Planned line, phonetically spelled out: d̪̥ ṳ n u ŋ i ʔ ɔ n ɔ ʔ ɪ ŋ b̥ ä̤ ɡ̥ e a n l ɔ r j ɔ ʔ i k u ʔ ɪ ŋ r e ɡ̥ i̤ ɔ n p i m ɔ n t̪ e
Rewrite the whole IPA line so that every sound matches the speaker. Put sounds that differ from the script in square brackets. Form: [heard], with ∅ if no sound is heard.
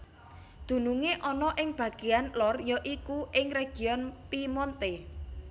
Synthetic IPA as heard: d̪̥ ṳ n u ŋ [e] ʔ ɔ n ɔ ʔ ɪ ŋ b̥ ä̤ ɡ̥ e a n l ɔ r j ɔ ʔ i k u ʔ ɪ ŋ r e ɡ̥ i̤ ɔ n p i m ɔ n t̪ e